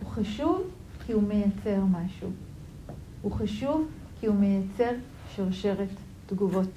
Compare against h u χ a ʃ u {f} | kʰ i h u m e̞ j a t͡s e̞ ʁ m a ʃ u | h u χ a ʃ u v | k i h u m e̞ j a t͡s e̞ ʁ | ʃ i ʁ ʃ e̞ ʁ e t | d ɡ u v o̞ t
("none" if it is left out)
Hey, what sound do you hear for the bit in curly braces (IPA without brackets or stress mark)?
v